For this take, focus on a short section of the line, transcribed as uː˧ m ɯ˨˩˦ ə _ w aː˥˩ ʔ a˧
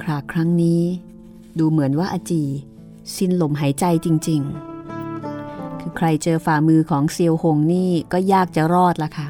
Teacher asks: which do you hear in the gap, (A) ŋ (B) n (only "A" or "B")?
B